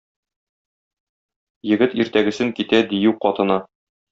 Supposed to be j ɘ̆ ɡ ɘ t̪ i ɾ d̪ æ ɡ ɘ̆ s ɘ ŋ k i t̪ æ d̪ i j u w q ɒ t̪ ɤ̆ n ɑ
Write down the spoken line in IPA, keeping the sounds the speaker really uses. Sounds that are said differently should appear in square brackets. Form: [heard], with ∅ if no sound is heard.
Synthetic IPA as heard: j ɘ̆ ɡ ɘ t̪ i ɾ [t̪] æ ɡ ɘ̆ s ɘ ŋ k i t̪ æ d̪ i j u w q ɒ t̪ ɤ̆ n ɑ